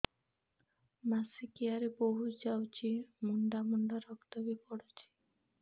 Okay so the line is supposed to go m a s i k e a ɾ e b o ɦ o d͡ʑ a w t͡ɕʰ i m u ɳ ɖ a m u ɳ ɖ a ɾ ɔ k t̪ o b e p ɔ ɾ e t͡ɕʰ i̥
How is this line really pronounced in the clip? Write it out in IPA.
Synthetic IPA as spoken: m a s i k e a ɾ e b o ɦ u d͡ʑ a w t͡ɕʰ i m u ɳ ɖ a m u ɳ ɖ a ɾ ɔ k t̪ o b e p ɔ ɽ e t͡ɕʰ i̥